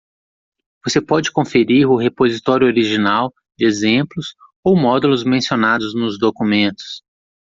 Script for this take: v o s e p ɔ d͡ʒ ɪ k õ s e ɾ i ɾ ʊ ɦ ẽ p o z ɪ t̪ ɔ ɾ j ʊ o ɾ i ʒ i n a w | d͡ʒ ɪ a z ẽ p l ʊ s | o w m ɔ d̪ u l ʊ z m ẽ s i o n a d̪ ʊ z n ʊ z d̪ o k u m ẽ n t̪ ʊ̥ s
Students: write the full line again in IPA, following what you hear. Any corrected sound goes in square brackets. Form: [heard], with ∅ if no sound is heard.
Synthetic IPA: v o s e p ɔ d͡ʒ ɪ k õ [f] e ɾ i ɾ ʊ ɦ [e] p o z [i] t̪ ɔ ɾ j ʊ o ɾ i ʒ i n a w | d͡ʒ ɪ [e] z ẽ p l ʊ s | o w m ɔ d̪ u l ʊ z m ẽ s i o n a d̪ ʊ z n ʊ z d̪ o k u m ẽ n t̪ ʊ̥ s